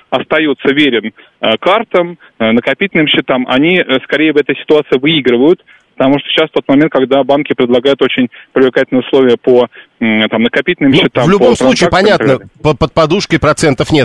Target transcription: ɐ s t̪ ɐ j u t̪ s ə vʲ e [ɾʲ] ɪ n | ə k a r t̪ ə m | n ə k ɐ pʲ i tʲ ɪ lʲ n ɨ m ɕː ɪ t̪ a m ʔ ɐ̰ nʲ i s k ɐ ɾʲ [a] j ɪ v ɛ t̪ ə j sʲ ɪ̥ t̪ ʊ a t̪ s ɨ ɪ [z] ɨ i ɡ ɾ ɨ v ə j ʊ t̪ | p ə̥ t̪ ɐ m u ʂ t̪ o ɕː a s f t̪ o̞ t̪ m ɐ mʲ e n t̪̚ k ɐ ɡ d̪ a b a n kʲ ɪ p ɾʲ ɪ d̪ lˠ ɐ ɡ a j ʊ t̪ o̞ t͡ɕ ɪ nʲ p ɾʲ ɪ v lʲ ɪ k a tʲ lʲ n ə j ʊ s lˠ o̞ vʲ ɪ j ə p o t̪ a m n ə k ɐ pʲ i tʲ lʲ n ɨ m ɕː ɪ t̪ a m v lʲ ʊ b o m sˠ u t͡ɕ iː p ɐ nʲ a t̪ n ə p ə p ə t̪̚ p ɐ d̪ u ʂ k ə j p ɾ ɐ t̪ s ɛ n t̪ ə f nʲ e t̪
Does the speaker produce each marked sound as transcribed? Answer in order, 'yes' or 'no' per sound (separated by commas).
yes, no, no